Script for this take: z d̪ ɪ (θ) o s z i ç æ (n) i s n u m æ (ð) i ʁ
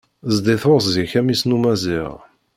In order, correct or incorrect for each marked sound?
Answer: correct, incorrect, incorrect

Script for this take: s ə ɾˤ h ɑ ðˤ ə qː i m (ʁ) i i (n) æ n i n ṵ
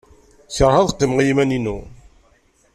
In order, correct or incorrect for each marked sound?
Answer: correct, incorrect

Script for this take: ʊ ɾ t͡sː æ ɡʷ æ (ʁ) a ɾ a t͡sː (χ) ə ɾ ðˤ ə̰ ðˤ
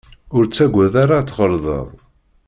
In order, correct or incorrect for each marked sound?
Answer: incorrect, incorrect

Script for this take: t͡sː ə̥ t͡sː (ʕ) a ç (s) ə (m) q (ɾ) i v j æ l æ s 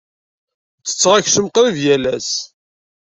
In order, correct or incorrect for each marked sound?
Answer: incorrect, correct, correct, correct

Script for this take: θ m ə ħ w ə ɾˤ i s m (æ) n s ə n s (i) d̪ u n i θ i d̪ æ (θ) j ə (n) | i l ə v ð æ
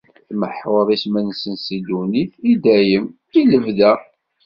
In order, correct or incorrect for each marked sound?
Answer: correct, correct, incorrect, incorrect

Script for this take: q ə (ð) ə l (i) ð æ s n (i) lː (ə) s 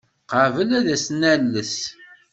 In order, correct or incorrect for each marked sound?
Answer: incorrect, incorrect, incorrect, correct

